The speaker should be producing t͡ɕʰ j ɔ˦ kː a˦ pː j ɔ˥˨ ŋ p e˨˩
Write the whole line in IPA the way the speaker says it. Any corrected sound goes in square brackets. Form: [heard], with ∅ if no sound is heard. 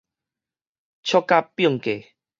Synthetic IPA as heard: t͡ɕʰ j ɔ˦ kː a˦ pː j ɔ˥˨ ŋ [k] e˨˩

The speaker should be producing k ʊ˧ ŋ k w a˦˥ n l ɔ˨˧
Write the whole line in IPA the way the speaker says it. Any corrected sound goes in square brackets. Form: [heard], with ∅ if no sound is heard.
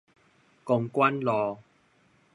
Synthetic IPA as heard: k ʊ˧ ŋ k w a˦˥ n l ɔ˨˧

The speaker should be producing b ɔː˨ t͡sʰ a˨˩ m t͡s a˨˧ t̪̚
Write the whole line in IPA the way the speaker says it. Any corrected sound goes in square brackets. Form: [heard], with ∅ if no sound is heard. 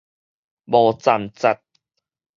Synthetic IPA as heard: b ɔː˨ [t͡s] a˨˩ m t͡s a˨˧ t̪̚

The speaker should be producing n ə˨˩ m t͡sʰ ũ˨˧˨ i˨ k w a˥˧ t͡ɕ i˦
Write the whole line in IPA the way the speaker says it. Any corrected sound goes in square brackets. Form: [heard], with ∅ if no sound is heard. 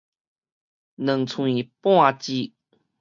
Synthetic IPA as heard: n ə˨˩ [ŋ] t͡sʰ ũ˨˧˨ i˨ [p] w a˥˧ t͡ɕ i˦

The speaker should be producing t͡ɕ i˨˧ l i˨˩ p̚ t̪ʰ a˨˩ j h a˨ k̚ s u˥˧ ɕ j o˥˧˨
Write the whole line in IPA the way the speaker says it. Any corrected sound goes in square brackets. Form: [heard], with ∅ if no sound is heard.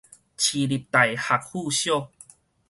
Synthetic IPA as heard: [t͡ɕʰ] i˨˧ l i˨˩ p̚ [t̪] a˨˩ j h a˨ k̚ [h] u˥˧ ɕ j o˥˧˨

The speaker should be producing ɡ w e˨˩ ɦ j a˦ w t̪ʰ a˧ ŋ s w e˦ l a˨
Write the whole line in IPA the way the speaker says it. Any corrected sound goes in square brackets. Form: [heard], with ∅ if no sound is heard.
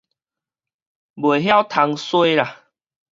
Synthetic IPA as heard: [b] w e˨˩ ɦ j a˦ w t̪ʰ a˧ ŋ s w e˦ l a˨

